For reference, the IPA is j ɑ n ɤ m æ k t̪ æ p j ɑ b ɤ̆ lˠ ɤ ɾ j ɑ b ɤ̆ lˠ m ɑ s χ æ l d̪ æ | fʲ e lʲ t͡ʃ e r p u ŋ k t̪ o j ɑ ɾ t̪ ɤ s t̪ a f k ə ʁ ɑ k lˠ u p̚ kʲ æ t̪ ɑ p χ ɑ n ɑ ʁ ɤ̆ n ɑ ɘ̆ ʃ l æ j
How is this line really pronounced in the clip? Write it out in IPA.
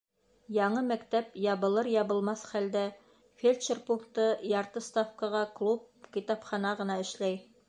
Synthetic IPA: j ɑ ɴ ɤ m æ k t̪ æ p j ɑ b ɤ̆ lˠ ɤ ɾ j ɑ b ɤ̆ lˠ m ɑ s χ æ l d̪ æ | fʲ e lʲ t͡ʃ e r p u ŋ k t̪ ɤ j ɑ ɾ t̪ ɤ s t̪ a f k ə ʁ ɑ k lˠ u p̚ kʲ i t̪ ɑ p χ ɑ n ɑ ʁ ɤ̆ n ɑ ɘ̆ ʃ l æ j